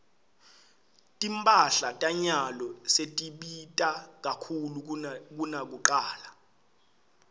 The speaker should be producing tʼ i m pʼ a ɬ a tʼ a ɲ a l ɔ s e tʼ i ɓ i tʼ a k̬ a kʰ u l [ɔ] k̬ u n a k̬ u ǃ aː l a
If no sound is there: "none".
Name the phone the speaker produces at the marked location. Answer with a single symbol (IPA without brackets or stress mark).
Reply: u